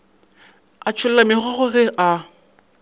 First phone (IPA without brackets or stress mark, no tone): a